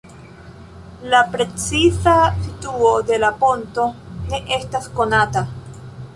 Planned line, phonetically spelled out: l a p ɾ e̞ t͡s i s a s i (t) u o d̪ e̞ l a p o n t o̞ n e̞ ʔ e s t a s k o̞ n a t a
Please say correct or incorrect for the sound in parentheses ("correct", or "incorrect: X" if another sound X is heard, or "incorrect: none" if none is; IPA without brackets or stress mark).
correct